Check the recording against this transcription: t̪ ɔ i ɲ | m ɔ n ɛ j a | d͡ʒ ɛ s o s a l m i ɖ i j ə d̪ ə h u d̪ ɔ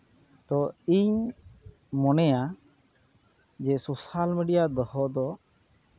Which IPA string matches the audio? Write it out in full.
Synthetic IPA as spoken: t̪ ɔ i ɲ | m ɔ n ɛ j a | d͡ʒ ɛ s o s a l m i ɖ i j a d̪ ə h ɔ d̪ ɔ